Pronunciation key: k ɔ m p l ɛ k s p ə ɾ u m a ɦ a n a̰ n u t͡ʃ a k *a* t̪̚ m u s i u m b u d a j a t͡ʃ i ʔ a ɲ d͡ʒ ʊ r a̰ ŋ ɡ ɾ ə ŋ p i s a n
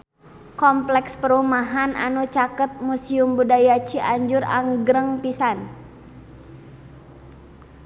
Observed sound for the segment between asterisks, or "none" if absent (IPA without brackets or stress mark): ə